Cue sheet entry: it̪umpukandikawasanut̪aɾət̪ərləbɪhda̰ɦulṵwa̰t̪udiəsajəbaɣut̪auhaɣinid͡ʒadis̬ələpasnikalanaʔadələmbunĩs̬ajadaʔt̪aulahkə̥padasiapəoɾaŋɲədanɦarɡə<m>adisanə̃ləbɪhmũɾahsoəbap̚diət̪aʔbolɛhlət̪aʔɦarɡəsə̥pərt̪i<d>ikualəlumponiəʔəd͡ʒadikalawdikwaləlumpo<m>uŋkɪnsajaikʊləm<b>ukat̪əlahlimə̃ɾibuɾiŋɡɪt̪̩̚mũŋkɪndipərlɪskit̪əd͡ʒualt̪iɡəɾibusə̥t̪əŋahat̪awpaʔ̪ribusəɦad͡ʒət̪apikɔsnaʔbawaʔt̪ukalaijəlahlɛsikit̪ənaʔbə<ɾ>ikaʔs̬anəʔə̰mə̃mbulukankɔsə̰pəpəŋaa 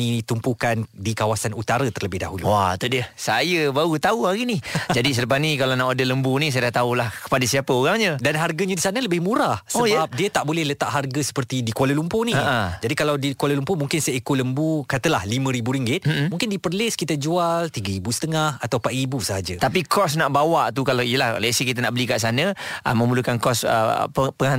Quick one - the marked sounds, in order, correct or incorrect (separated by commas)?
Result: incorrect, correct, correct, correct, incorrect